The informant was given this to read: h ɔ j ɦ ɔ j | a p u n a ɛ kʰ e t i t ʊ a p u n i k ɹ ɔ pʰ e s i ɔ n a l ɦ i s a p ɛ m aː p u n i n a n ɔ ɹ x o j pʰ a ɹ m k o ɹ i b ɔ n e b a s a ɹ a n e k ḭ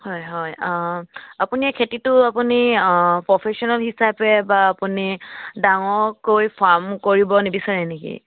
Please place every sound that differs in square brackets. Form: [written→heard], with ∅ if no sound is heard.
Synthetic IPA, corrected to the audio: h ɔ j ɦ ɔ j | a p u n [a→i] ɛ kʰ e t i t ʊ a p u n i [k→p] ɹ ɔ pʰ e s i ɔ n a l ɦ i s a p ɛ [m→b] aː p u n i [n→d] a [n→ŋ] ɔ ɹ [x→k] o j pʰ a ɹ m k o ɹ i b ɔ n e b [a→i] s a ɹ [a→ɛ] n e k ḭ

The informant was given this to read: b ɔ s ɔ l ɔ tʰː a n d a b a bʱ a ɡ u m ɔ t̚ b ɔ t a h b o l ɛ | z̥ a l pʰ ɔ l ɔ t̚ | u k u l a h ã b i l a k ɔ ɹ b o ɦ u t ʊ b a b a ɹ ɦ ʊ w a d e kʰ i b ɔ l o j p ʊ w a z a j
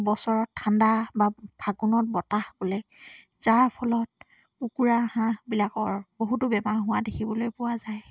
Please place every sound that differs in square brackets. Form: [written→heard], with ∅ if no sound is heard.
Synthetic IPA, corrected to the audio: b ɔ s ɔ [l→ɹ] ɔ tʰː a n d a b a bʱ a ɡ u [m→n] ɔ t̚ b ɔ t a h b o l ɛ | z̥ a [l→ɹ] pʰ ɔ l ɔ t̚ | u k u [l→ɹ] a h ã b i l a k ɔ ɹ b o ɦ u t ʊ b [a→ɛ] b a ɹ ɦ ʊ w a d e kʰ i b ɔ l o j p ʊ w a z a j

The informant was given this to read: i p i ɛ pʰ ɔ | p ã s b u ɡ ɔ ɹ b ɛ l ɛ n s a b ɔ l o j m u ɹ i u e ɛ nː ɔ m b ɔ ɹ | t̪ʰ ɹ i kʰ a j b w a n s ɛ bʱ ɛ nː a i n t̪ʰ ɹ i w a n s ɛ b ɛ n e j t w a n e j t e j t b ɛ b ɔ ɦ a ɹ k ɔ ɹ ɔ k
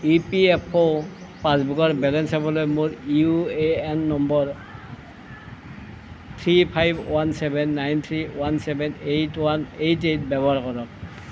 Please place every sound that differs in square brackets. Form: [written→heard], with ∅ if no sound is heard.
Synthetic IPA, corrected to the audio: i p i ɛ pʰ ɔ | p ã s b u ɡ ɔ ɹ b ɛ l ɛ n s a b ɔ l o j m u ɹ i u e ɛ nː ɔ m b ɔ ɹ | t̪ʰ ɹ i [kʰ→pʰ] a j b w a n s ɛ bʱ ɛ nː a [i→j] n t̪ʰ ɹ i w a n s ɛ b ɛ n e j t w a n e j t e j t b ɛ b ɔ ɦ a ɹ k ɔ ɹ ɔ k

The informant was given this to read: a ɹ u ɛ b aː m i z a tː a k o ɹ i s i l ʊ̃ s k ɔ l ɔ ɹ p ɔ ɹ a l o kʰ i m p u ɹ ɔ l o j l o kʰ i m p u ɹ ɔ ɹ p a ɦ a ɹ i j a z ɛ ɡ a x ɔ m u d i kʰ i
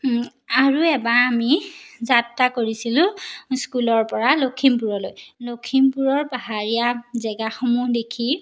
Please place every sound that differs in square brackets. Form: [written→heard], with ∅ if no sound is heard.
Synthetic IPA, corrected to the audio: a ɹ u ɛ b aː m i z a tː a k o ɹ i s i l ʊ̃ s k [ɔ→u] l ɔ ɹ p ɔ ɹ a l o kʰ i m p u ɹ ɔ l o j l o kʰ i m p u ɹ ɔ ɹ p a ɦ a ɹ i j a z ɛ ɡ a x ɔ m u d [i→e] kʰ i

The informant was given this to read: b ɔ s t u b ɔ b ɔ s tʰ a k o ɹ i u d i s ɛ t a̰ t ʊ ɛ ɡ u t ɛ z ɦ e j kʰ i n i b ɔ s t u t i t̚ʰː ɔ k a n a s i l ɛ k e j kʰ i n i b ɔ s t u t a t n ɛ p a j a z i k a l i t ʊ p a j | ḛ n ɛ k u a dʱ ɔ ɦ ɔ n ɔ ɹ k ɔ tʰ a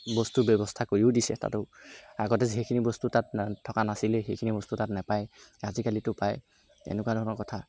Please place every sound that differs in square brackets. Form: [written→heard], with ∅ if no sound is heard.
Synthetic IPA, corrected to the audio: b ɔ s t u b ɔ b ɔ s tʰ a k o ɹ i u d i s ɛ t a̰ t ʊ [ɛ→a] ɡ [u→ɔ] t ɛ z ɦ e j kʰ i n i b ɔ s t u t [i→a] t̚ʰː ɔ k a n a s i l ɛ [k→x] e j kʰ i n i b ɔ s t u t a t n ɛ p a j a z i k a l i t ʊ p a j | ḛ n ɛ k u a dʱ ɔ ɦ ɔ n ɔ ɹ k ɔ tʰ a

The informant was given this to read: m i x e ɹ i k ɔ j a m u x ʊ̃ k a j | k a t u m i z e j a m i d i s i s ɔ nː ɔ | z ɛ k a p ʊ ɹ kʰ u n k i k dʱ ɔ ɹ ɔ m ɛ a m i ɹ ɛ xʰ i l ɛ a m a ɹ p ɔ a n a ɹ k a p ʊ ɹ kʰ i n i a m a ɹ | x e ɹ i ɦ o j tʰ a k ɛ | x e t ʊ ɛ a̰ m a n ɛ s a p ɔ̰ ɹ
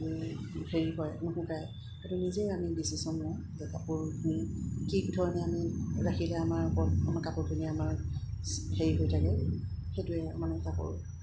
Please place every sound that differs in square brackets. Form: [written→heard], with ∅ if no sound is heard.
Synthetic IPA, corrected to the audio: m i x e ɹ i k ɔ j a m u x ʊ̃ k a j | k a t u [m→n] i z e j a m i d i s i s ɔ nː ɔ | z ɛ k a p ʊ ɹ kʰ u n k i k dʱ ɔ ɹ ɔ [m→n] ɛ a m i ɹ [ɛ→a] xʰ i l ɛ a m a ɹ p ɔ a [n→m] a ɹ k a p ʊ ɹ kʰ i n i a m a ɹ | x e ɹ i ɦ o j tʰ a k ɛ | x e t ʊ ɛ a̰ m a n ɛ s a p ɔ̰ ɹ

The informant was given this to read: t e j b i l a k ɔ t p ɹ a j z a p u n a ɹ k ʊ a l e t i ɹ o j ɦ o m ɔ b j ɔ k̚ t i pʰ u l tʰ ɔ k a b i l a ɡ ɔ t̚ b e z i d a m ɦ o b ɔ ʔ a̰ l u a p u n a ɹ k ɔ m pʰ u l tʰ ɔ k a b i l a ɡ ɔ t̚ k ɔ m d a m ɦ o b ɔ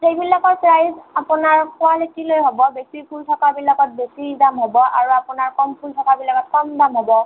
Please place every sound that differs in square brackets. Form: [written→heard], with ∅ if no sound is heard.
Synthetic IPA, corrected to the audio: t e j b i l a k ɔ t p ɹ a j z a p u n a ɹ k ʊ a l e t i [ɹ→l] o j ɦ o [m→b] ɔ b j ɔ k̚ t i pʰ u l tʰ ɔ k a b i l a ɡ ɔ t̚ b e [z→s] i d a m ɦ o b ɔ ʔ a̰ [l→ɹ] u a p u n a ɹ k ɔ m pʰ u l tʰ ɔ k a b i l a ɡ ɔ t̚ k ɔ m d a m ɦ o b ɔ

